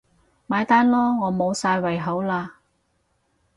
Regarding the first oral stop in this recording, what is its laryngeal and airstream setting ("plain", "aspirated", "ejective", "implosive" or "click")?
plain